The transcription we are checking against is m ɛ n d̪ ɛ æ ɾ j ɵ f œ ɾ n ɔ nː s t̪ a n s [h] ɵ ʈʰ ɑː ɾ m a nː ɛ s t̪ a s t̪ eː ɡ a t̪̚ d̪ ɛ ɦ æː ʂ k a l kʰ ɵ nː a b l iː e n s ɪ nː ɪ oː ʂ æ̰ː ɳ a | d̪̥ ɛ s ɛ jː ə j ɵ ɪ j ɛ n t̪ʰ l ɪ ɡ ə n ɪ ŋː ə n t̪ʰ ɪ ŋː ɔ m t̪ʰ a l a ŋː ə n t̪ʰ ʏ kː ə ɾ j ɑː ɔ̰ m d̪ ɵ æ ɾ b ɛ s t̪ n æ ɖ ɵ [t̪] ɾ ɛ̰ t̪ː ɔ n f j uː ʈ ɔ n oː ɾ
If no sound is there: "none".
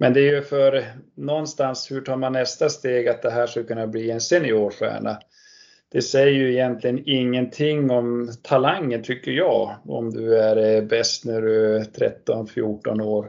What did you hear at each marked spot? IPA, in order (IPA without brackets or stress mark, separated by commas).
h, t̪ʰ